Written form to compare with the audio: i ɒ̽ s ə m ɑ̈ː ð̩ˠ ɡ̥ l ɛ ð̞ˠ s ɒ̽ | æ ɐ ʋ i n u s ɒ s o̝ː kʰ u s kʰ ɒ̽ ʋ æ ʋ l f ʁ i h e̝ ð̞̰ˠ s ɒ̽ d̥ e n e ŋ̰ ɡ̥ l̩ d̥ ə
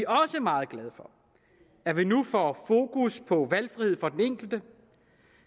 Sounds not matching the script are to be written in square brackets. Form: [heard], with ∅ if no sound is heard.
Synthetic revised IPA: i ɒ̽ s ə m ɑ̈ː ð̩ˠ ɡ̥ l ɛ ð̞ˠ [f] ɒ̽ | æ ɐ ʋ i n u [f] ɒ [f] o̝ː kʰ u s [pʰ] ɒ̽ ʋ æ [∅] l f ʁ i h e̝ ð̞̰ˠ [f] ɒ̽ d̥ e n e ŋ̰ ɡ̥ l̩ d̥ ə